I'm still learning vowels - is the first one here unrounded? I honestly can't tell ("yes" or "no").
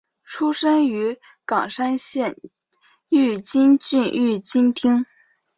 no